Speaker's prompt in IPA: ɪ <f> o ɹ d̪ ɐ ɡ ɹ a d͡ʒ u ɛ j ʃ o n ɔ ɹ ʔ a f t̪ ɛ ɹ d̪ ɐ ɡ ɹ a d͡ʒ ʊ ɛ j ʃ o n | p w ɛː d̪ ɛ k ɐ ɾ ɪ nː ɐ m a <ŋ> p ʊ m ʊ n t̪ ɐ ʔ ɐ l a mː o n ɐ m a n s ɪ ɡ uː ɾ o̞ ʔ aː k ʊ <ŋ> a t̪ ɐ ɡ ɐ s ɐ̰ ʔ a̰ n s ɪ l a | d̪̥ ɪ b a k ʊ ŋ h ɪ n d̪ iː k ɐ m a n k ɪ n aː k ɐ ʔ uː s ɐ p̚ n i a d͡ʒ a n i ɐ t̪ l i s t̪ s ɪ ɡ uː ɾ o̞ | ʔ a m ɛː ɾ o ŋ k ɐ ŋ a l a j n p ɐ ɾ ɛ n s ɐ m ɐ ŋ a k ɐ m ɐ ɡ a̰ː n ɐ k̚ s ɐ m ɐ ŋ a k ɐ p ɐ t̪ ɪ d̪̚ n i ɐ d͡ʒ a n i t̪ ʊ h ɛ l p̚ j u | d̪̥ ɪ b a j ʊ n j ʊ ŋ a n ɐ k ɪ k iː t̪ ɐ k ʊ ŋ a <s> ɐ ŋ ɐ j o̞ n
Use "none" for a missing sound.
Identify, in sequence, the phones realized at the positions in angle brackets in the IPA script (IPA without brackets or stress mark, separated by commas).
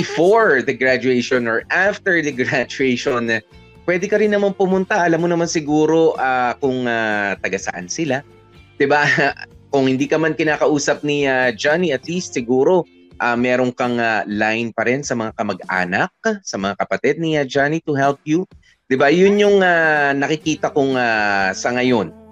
f, n, ŋ, s